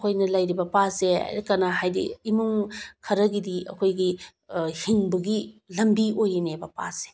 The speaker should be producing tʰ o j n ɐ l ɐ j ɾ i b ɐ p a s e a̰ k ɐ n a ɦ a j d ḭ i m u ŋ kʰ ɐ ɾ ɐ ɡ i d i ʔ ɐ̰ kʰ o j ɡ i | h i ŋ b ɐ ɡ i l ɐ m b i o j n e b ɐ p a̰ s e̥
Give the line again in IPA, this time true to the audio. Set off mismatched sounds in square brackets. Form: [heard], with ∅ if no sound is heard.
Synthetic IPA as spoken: [kʰ] o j n ɐ l ɐ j ɾ i b ɐ p a s e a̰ k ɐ n a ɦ a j d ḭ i m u ŋ kʰ ɐ ɾ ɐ ɡ i d i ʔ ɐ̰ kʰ o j ɡ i | h i ŋ b ɐ ɡ i l ɐ m b i o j n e b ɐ p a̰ s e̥

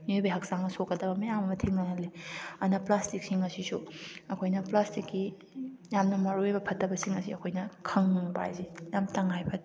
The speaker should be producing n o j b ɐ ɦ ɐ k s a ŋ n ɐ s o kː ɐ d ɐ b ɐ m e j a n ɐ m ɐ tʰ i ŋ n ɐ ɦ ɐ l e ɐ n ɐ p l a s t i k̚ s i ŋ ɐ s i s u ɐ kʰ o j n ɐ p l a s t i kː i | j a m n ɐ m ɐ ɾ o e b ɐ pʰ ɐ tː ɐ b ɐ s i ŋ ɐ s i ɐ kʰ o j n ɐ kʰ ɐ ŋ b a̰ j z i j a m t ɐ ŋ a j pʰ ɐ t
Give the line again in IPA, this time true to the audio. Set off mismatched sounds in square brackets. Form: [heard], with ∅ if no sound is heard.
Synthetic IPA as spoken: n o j b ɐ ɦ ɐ k s a ŋ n ɐ s o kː ɐ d ɐ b ɐ m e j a [m] ɐ m ɐ tʰ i ŋ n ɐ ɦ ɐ l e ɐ n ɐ p l a s t i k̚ s i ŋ ɐ s i s u ɐ kʰ o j n ɐ p l a s t i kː i | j a m n ɐ m ɐ ɾ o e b ɐ pʰ ɐ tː ɐ b ɐ s i ŋ ɐ s i ɐ kʰ o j n ɐ kʰ ɐ ŋ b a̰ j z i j a m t ɐ ŋ a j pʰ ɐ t

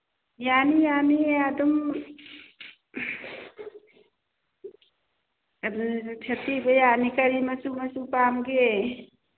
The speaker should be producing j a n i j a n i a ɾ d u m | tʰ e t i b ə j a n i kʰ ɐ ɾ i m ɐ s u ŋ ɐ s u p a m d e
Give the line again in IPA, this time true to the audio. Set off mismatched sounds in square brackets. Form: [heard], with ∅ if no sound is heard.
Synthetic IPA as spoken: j a n i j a n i a [∅] d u m | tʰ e t i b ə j a n i [k] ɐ ɾ i m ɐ s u [m] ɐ s u p a m [ɡ] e

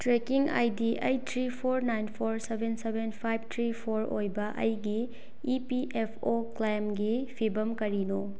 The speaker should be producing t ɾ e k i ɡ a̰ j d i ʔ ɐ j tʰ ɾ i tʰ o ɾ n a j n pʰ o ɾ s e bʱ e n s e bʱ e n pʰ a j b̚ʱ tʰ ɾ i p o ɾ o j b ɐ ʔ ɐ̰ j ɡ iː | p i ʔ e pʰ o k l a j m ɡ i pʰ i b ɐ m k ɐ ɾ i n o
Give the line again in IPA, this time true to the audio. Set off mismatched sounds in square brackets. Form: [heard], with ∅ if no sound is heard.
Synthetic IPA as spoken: t ɾ e k i [ŋ] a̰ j d i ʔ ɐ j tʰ ɾ i [pʰ] o ɾ n a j n pʰ o ɾ s e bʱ e n s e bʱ e n pʰ a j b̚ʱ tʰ ɾ i [pʰ] o ɾ o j b ɐ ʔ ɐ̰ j ɡ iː | p i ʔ e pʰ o k l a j m ɡ i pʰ i b ɐ m k ɐ ɾ i n o

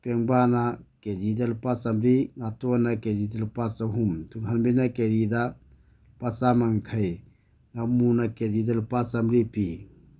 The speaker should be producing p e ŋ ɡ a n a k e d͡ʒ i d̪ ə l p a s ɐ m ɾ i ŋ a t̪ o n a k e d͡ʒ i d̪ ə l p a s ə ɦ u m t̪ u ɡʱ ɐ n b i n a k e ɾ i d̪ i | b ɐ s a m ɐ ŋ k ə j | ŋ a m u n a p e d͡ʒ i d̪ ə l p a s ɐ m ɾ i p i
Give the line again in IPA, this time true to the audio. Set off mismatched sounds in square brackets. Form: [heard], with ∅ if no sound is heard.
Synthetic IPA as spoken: p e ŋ [b] a n a k e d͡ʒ i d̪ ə l p a s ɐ m ɾ i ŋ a t̪ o n a k e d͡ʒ i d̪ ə l p a s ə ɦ u m t̪ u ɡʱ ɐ n b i n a k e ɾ i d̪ [a] | [p] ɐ s a m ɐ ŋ [kʰ] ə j | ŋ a m u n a [k] e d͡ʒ i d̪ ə l p a s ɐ m ɾ i p i

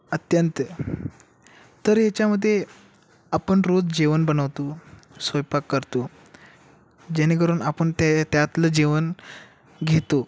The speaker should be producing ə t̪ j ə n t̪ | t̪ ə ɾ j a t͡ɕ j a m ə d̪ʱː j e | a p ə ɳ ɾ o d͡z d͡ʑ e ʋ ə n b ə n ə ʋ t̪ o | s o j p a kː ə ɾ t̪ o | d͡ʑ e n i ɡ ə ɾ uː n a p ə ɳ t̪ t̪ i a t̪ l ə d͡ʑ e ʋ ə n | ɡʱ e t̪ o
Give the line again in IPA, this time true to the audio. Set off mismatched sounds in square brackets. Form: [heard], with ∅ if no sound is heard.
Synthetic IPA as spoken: ə t̪ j ə n t̪ | t̪ ə ɾ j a t͡ɕ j a m ə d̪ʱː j e | a p ə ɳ ɾ o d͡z d͡ʑ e ʋ ə n b ə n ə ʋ t̪ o | s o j p a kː ə ɾ t̪ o | d͡ʑ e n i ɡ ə ɾ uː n a p ə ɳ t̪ t̪ [j] a t̪ l ə d͡ʑ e ʋ ə n | ɡʱ e t̪ o

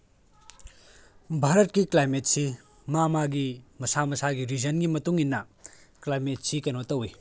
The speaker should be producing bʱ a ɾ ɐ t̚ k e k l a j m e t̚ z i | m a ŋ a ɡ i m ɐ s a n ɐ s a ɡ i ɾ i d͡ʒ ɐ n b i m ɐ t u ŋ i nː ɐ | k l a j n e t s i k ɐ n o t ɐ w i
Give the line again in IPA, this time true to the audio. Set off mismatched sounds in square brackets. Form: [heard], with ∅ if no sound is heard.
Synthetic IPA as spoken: bʱ a ɾ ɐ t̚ k [i] k l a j m e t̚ [s] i | m a [m] a ɡ i m ɐ s a [m] ɐ s a ɡ i ɾ i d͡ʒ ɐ n [ɡ] i m ɐ t u ŋ i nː ɐ | k l a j [m] e t s i k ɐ n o t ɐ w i

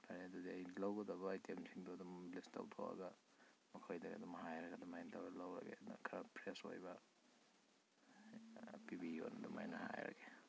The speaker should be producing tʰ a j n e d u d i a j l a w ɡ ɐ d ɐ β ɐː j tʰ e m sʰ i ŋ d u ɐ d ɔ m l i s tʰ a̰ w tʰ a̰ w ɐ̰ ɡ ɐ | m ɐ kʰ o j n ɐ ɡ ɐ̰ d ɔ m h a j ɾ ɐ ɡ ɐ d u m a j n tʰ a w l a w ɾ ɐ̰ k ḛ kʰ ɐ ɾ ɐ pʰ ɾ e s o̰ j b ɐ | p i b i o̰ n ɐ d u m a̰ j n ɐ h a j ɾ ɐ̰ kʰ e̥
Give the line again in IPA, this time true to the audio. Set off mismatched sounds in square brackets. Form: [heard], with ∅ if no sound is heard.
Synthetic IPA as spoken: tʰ a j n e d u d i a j l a w ɡ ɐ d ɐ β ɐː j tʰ e m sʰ i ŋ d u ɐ d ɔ m l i s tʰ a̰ w tʰ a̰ w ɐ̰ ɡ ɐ | m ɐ kʰ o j [d] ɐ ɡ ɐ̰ d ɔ m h a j ɾ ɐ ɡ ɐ d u m a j n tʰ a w l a w ɾ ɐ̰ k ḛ kʰ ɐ ɾ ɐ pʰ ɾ e s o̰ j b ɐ | p i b i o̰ n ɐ d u m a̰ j n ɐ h a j ɾ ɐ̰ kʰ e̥

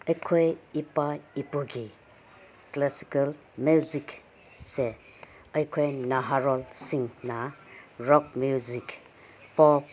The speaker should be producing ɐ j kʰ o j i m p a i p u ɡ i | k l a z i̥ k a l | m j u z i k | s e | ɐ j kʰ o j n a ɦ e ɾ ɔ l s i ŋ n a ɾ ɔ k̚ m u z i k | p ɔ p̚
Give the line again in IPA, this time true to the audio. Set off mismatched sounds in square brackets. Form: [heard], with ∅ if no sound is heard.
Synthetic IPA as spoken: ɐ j kʰ o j i [∅] p a i p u ɡ i | k l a [s] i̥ k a l | m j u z i k | s e | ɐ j kʰ o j n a ɦ [a] ɾ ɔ l s i ŋ n a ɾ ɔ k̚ m u z i k | p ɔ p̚

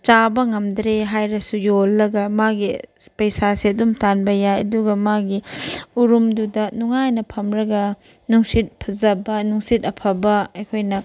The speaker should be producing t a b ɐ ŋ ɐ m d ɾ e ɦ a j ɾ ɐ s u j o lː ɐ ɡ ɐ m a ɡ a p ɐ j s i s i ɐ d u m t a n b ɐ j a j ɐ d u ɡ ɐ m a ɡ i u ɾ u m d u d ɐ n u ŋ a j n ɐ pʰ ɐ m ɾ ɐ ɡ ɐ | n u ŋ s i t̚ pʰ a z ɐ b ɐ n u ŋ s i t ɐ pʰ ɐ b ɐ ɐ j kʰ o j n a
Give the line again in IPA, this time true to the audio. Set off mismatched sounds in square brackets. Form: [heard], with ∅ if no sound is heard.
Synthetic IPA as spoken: [t͡ʃ] a b ɐ ŋ ɐ m d ɾ e ɦ a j ɾ ɐ s u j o lː ɐ ɡ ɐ m a ɡ [i] p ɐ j s [a] s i ɐ d u m t a n b ɐ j a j ɐ d u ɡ ɐ m a ɡ i u ɾ u m d u d ɐ n u ŋ a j n ɐ pʰ ɐ m ɾ ɐ ɡ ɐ | n u ŋ s i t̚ pʰ [ɐ] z ɐ b ɐ n u ŋ s i t ɐ pʰ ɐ b ɐ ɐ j kʰ o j n [ɐ]

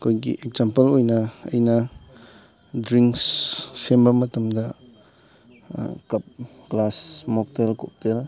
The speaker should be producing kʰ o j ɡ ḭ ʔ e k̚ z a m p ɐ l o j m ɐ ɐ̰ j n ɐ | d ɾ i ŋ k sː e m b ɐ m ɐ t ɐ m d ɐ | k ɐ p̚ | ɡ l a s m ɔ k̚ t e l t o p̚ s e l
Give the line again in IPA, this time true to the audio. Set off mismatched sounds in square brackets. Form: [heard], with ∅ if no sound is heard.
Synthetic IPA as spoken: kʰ o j ɡ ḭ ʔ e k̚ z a m p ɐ l o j [n] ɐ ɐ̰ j n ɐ | d ɾ i ŋ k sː e m b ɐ m ɐ t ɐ m d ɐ | k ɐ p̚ | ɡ l a s m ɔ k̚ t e l [k] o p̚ [t] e l

